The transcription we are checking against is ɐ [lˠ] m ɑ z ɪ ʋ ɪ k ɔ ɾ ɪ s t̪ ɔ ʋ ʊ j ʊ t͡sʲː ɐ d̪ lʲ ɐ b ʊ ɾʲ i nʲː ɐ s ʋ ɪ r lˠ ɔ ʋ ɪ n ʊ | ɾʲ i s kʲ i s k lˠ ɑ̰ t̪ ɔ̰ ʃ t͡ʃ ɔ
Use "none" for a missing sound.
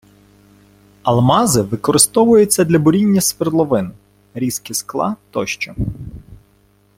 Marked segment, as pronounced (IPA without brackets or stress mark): lˠ